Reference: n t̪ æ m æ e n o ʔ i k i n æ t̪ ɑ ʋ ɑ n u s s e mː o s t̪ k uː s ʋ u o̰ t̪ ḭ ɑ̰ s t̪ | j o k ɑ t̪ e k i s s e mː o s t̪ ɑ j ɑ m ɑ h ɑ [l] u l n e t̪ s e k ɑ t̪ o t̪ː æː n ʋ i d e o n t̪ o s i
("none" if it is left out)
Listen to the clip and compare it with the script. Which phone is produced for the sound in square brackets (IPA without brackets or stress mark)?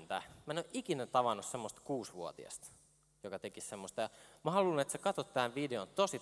l